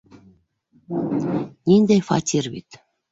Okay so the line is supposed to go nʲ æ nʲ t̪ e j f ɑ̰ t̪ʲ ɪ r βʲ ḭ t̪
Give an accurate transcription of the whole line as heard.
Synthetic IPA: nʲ i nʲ d̪ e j f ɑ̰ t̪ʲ i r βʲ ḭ t̪